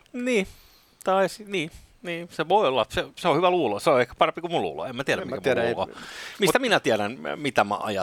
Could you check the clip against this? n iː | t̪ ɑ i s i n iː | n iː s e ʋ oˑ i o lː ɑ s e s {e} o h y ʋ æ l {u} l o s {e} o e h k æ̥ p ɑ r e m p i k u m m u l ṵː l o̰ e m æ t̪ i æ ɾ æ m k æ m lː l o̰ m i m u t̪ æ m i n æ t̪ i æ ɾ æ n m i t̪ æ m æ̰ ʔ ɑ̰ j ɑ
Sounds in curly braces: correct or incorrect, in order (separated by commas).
correct, incorrect, correct